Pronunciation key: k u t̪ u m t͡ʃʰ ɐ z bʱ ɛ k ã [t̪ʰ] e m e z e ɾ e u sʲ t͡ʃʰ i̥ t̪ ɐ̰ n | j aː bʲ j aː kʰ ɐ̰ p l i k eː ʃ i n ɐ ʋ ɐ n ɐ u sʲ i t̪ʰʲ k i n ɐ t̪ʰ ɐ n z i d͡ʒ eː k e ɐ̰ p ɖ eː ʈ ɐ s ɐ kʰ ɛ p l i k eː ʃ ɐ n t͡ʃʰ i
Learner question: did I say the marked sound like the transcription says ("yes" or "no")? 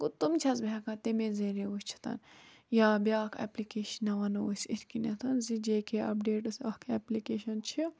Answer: no